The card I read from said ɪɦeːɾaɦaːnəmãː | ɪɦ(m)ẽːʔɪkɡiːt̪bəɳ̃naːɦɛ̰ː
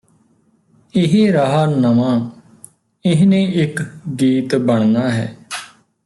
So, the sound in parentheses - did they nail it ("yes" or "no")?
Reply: no